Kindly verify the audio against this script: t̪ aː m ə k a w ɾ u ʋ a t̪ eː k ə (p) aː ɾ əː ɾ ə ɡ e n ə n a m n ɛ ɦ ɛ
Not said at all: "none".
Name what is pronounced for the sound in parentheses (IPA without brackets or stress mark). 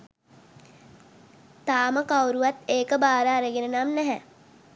b